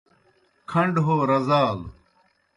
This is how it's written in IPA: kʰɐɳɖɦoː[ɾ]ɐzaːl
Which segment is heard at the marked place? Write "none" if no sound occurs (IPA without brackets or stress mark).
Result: ɾ